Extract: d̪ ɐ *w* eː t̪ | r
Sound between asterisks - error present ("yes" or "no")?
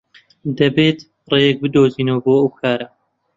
yes